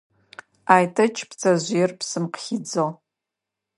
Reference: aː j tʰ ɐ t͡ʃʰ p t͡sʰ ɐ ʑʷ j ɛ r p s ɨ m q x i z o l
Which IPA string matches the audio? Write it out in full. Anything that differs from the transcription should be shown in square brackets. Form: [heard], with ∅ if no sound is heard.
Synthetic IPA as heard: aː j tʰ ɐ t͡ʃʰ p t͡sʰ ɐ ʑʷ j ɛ r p s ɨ m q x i [d͡z] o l